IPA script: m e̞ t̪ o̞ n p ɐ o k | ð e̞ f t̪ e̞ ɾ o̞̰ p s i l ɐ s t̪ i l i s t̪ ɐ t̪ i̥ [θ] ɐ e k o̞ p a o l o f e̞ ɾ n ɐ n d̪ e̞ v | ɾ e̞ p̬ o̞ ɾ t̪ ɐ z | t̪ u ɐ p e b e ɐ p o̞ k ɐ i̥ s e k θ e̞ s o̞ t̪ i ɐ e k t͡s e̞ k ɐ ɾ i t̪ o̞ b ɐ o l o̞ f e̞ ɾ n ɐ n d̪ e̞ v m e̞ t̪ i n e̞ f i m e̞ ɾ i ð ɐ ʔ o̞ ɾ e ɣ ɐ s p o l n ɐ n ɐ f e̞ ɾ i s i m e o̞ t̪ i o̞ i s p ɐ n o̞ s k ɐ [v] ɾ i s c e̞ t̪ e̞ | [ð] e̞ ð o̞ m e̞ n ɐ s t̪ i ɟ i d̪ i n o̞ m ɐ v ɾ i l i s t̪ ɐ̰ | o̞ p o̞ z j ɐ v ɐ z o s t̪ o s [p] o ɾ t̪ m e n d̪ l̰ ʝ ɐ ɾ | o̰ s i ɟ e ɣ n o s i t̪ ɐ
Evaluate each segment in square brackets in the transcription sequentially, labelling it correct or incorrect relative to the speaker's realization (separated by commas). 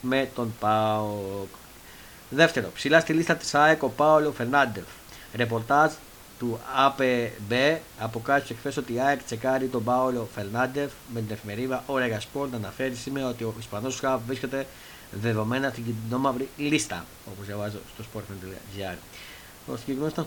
incorrect, correct, correct, correct